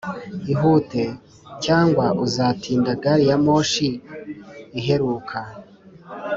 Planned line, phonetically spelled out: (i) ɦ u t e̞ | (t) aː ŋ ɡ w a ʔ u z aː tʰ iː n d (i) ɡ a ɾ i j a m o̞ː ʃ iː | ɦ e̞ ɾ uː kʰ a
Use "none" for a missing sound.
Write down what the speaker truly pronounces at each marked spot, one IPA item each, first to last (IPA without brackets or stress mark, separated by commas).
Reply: i, c, a